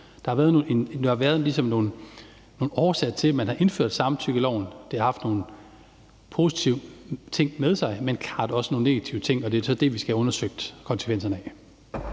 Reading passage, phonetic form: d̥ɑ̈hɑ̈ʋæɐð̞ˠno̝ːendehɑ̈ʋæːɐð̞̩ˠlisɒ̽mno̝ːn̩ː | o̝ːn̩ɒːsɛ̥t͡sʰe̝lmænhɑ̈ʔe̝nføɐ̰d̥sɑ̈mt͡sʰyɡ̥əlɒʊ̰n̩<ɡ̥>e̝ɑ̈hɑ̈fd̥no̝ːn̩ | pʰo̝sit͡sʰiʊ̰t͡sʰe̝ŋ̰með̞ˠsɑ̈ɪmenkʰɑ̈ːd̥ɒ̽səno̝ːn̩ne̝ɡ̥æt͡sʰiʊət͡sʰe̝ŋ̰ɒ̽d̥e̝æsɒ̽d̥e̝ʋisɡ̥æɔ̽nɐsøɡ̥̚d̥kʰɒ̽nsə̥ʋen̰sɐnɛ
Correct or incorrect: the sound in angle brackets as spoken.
incorrect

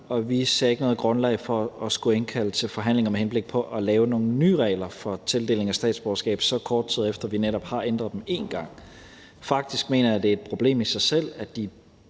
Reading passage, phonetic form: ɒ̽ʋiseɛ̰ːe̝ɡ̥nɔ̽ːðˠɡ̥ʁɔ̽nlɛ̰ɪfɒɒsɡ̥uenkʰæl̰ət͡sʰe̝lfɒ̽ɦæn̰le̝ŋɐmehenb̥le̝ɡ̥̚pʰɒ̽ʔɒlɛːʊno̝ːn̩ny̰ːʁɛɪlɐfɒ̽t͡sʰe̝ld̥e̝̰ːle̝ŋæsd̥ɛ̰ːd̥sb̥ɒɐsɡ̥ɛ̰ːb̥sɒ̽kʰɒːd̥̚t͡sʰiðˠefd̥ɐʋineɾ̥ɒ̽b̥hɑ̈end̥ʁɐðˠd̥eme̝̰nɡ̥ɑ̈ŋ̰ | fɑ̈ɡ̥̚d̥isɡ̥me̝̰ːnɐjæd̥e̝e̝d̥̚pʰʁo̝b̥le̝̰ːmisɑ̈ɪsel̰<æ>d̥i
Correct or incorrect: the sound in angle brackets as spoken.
correct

